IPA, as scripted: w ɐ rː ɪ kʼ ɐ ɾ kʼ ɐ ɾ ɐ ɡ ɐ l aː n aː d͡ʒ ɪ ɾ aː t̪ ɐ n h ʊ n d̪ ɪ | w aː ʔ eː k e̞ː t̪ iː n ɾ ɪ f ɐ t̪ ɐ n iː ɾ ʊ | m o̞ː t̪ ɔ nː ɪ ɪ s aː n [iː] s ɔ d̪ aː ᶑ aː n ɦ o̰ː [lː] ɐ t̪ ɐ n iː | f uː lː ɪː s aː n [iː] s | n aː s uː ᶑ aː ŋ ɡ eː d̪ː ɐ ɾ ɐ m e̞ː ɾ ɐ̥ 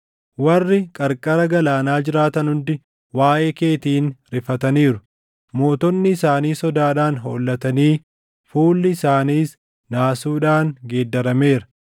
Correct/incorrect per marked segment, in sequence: correct, correct, correct

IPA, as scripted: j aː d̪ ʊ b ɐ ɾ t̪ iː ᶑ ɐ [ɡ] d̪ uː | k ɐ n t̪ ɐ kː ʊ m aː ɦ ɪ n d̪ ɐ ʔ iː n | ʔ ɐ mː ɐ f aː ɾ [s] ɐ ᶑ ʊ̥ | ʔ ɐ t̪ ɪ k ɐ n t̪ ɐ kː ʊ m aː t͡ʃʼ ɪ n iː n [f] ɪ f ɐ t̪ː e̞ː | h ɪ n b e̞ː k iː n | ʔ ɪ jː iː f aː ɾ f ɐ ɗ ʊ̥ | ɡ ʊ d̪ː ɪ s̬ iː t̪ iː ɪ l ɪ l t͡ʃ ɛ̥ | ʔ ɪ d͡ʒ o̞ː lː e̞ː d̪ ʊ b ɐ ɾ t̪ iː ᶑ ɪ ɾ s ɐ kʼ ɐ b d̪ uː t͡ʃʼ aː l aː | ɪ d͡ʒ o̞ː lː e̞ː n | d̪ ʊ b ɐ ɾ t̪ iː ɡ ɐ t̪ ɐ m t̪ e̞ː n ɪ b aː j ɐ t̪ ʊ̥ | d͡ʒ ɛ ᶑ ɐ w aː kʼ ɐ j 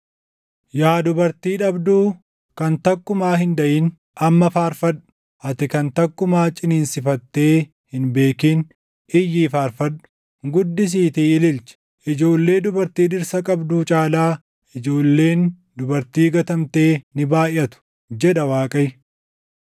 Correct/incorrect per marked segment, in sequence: incorrect: b, incorrect: f, incorrect: s

